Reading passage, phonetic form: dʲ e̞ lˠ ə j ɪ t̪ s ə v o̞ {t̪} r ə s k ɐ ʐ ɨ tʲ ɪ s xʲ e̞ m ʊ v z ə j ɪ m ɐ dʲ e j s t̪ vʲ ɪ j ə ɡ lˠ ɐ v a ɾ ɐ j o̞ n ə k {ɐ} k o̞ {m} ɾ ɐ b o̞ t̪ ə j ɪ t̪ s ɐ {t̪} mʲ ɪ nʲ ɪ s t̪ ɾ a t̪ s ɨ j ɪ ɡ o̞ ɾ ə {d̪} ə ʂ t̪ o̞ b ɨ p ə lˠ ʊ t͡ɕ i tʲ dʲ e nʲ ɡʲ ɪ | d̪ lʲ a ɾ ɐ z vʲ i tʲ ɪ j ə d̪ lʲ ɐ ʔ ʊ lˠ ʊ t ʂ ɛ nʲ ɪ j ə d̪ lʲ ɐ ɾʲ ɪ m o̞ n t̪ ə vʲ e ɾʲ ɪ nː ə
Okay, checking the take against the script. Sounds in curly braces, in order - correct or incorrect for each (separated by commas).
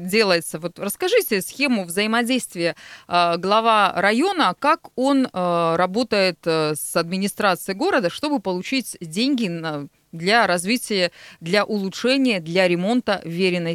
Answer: correct, incorrect, incorrect, incorrect, correct